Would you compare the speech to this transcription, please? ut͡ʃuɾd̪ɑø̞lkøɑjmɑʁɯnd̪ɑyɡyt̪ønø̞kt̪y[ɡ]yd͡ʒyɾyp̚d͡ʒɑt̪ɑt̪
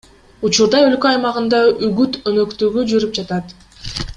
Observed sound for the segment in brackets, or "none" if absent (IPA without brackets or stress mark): ɡ